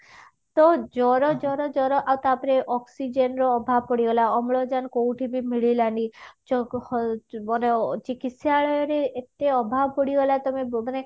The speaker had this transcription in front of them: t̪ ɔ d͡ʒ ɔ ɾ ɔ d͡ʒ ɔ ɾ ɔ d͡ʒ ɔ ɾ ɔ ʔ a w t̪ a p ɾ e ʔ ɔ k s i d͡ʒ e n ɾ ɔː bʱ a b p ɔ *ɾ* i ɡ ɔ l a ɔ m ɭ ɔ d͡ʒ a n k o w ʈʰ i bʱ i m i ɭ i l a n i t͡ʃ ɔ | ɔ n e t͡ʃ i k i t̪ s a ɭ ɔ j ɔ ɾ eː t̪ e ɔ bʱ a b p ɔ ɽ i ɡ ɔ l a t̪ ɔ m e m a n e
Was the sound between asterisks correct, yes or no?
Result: no